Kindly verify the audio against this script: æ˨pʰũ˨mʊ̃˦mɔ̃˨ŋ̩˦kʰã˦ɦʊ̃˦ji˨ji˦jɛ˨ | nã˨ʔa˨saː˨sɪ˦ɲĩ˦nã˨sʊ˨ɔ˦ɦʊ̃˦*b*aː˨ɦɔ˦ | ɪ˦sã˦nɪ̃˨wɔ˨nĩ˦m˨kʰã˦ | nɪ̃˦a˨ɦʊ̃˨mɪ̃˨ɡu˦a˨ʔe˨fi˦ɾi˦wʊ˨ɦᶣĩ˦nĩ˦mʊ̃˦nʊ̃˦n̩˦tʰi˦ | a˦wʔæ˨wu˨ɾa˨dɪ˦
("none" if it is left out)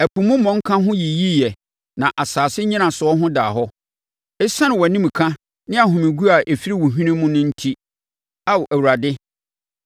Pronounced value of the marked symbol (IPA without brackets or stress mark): d